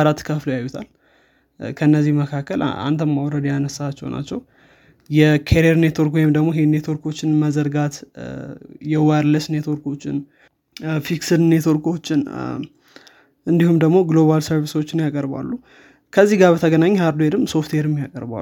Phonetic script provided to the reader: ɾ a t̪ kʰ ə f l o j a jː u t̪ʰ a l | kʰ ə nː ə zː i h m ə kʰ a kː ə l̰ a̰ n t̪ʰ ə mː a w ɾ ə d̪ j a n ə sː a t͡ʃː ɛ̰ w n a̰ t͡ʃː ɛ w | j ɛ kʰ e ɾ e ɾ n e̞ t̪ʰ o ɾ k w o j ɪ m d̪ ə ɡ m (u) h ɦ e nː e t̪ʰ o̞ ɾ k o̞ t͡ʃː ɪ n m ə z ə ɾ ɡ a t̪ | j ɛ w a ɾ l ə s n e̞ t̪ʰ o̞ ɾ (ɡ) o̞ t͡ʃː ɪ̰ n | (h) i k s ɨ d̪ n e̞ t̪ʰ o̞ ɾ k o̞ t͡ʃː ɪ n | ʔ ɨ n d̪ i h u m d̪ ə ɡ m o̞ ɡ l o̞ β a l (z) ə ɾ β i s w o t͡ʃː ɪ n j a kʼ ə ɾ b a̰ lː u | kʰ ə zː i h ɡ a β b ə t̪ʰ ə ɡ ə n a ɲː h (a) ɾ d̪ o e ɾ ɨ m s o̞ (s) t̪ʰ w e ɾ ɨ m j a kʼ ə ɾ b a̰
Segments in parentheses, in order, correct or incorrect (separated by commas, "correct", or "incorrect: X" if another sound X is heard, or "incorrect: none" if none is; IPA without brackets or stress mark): incorrect: o, incorrect: k, incorrect: f, incorrect: s, correct, incorrect: f